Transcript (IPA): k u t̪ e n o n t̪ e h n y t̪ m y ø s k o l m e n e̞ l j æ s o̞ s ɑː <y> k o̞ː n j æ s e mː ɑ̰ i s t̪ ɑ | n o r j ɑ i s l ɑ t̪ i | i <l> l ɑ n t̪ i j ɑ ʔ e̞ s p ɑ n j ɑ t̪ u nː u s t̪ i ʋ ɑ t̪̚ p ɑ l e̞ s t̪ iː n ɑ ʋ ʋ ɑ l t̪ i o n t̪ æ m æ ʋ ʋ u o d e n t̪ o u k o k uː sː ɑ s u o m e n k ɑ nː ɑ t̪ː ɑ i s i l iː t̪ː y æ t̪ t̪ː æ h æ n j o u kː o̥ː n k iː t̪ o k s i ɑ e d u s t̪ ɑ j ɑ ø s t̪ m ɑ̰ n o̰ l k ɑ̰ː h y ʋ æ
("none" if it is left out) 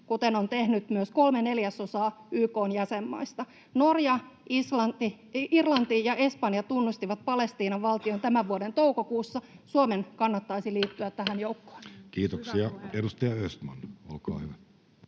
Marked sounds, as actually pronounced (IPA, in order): yː, r

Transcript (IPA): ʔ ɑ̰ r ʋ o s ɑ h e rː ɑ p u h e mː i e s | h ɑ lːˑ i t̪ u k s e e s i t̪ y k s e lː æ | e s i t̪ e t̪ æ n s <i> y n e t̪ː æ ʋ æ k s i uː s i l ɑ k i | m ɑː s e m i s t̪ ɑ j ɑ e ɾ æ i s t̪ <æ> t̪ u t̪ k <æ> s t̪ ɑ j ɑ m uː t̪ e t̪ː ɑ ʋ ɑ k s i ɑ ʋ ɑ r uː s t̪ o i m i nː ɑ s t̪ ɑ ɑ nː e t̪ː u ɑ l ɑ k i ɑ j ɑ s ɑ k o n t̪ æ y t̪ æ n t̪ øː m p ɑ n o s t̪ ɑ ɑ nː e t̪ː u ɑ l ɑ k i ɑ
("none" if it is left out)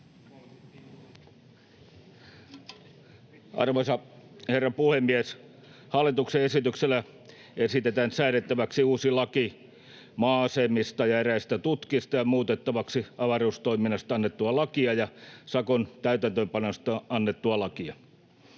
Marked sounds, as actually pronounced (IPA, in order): æ, æ, i

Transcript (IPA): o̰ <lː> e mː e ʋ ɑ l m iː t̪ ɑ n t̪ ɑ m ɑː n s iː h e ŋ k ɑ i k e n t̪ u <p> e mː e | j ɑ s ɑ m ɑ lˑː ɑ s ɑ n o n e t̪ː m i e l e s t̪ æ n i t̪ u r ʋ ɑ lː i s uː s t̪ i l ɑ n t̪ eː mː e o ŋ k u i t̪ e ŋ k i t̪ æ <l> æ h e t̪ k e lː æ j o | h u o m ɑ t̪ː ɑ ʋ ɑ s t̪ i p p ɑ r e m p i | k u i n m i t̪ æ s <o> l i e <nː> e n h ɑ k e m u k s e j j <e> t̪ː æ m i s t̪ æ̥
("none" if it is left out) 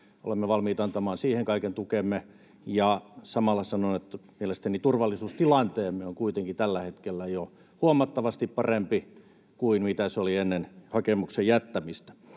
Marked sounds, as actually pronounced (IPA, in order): l, k, lː, o, nː, æ

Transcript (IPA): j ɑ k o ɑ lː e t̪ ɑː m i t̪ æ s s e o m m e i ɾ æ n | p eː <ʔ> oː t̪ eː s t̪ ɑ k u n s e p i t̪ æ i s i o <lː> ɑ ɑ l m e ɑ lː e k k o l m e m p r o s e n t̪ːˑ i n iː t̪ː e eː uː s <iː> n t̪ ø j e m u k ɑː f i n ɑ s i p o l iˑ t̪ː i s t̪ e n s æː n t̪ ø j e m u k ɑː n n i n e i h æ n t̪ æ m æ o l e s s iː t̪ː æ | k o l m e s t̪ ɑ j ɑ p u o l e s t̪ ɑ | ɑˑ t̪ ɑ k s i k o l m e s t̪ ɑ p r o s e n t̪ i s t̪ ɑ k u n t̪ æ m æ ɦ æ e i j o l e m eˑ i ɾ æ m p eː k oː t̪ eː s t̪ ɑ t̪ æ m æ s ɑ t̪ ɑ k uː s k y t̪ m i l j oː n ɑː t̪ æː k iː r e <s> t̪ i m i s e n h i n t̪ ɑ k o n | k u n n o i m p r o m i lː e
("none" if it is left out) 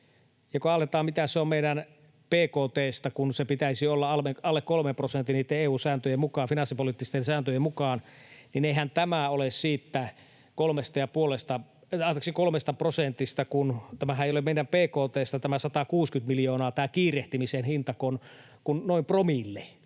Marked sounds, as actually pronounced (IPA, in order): k, lː, æː, h

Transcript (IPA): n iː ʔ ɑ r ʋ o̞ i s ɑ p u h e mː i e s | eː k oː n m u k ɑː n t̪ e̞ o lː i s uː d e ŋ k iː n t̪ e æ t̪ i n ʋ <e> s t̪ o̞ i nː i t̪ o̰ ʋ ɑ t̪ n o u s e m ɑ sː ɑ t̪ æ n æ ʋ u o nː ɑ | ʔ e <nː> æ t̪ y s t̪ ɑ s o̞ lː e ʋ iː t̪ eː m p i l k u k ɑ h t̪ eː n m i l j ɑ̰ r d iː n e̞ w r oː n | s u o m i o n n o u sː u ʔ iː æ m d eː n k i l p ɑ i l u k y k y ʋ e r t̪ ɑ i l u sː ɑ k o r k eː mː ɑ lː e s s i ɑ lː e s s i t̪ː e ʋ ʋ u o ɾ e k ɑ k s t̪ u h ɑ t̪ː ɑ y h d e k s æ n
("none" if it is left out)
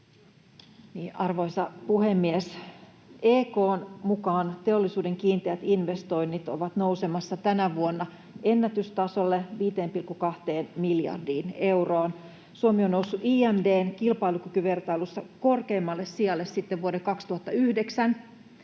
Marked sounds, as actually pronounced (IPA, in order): e, nː

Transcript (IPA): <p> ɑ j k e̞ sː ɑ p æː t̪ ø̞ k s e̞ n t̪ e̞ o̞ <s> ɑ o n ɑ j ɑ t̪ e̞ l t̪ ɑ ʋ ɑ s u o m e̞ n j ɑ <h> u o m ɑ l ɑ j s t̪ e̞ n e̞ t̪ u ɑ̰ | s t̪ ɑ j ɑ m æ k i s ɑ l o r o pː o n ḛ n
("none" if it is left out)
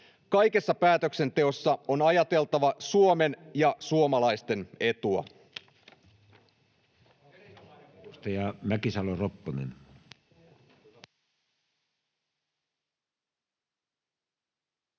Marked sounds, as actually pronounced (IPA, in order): k, sː, s

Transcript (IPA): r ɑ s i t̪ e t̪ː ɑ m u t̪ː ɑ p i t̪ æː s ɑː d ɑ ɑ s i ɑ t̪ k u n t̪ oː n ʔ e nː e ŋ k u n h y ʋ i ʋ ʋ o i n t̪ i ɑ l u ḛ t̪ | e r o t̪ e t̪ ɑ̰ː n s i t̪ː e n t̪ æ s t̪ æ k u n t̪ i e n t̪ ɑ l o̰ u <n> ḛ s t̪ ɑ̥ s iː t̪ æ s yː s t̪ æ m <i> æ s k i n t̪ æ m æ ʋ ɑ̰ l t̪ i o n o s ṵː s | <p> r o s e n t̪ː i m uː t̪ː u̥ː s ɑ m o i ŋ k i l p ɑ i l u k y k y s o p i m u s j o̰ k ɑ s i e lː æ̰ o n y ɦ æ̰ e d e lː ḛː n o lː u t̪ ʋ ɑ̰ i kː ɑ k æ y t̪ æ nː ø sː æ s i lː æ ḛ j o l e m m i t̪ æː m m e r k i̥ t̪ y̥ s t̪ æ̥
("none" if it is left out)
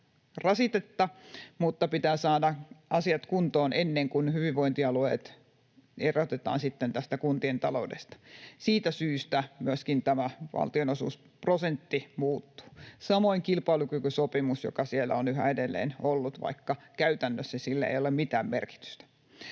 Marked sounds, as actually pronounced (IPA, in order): d, y, p

